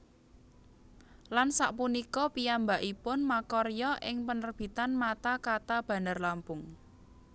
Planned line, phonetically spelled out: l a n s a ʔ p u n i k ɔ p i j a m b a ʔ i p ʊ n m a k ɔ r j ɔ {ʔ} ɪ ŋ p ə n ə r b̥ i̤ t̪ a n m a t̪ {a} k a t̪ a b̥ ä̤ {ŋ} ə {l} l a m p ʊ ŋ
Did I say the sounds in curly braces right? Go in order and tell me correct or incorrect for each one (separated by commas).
correct, correct, incorrect, incorrect